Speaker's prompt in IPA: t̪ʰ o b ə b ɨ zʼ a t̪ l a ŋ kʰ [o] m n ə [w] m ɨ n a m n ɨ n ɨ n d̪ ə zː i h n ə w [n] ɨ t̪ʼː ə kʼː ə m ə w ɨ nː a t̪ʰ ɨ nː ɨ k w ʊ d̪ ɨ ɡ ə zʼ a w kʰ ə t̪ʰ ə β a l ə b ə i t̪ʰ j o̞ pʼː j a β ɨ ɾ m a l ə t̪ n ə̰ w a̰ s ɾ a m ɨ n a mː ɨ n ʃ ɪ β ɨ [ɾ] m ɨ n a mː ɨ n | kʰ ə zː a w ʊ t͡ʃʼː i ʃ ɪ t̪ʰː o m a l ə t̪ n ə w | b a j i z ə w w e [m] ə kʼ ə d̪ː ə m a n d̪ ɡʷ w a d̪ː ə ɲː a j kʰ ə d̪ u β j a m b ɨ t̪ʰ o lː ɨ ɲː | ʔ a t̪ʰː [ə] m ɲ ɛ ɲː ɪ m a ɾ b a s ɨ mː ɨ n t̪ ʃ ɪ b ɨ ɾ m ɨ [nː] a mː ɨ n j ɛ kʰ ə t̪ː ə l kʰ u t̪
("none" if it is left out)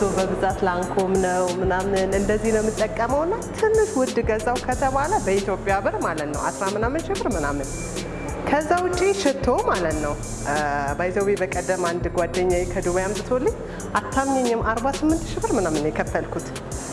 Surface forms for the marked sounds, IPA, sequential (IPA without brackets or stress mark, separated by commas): o, w, m, ɾ, b, a, n